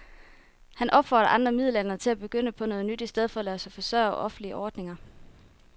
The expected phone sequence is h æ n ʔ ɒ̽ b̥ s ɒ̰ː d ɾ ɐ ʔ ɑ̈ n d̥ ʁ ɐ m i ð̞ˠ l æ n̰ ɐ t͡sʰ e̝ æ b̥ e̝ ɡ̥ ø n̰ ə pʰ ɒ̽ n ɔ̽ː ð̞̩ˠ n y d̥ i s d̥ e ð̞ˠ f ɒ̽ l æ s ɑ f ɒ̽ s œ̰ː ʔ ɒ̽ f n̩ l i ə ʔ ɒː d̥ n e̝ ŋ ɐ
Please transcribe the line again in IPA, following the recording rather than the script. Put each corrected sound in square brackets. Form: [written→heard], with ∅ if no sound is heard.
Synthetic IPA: h æ n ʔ ɒ̽ b̥ [s→f] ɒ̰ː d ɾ ɐ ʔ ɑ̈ n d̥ ʁ ɐ m i ð̞ˠ l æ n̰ ɐ t͡sʰ e̝ æ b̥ e̝ ɡ̥ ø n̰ ə pʰ ɒ̽ n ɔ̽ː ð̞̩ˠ n y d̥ i s d̥ e ð̞ˠ f ɒ̽ l æ s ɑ f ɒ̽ s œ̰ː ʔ ɒ̽ f n̩ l i ə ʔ ɒː d̥ n e̝ ŋ ɐ